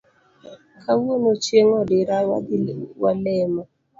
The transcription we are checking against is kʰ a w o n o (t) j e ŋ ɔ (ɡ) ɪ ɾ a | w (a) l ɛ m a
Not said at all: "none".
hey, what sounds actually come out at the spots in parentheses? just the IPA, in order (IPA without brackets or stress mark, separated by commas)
t͡ʃ, d, a